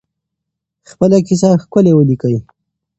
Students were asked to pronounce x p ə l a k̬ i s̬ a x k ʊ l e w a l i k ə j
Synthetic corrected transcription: x p ə l a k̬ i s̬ a x k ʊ l e w ə l i k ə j